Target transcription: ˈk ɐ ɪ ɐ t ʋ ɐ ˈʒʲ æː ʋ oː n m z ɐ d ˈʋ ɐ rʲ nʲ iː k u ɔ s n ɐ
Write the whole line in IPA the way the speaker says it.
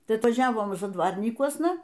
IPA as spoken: ˈt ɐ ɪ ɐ t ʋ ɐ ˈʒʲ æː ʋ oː m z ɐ d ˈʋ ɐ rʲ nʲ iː k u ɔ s n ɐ